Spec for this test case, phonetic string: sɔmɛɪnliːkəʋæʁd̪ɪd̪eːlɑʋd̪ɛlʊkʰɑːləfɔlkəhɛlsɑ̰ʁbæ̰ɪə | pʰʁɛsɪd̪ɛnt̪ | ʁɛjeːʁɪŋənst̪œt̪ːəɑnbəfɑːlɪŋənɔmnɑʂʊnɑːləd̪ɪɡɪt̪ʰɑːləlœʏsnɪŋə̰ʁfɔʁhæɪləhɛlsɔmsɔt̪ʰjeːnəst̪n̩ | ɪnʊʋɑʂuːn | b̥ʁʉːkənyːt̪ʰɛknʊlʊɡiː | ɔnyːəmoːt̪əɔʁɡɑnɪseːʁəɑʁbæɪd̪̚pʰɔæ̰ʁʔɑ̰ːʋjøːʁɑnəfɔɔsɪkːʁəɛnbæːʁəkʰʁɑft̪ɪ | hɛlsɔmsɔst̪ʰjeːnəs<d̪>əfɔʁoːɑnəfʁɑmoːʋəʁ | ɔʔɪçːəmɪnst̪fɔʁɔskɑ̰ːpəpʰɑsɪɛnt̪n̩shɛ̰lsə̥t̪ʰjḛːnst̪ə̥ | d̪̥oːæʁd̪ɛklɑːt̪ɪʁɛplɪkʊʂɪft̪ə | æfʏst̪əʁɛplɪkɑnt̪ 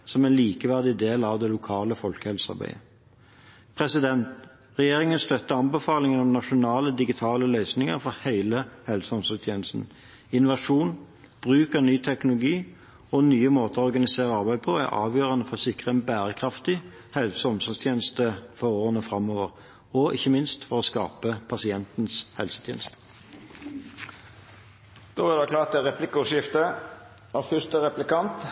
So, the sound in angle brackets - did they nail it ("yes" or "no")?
no